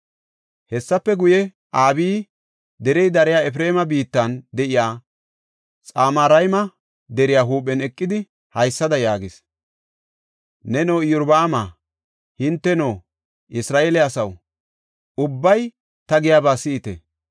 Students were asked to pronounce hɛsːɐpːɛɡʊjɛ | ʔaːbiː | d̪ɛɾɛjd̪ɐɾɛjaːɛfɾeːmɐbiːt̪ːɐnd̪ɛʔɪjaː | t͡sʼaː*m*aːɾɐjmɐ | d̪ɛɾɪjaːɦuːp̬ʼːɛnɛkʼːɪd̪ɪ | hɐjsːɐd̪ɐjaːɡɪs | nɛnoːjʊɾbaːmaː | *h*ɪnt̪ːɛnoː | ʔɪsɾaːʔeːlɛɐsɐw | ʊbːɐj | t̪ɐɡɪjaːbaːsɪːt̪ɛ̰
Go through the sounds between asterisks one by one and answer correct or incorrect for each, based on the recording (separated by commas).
correct, correct